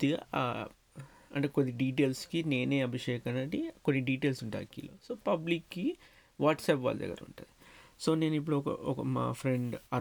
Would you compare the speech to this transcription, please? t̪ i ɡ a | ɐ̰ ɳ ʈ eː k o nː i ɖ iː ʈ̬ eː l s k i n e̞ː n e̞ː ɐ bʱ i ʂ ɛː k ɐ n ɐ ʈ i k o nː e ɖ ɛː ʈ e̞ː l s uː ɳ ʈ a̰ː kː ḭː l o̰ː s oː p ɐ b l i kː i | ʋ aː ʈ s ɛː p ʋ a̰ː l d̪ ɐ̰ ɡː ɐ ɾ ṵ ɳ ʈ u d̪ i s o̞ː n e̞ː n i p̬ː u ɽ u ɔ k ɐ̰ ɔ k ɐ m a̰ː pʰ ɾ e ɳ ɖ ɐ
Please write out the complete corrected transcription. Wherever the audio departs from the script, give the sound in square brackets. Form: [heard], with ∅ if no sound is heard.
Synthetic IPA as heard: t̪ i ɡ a | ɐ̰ ɳ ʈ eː k o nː i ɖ iː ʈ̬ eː l s k i n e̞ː n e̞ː ɐ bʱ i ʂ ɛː k ɐ n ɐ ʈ i k o nː [i] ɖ [iː] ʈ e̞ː l s [u] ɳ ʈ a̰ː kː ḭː l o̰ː s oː p ɐ b l i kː i | ʋ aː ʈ s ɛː p ʋ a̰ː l d̪ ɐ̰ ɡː ɐ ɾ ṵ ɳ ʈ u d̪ i s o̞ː n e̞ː n i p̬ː u ɽ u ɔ k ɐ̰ ɔ k ɐ m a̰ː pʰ ɾ e ɳ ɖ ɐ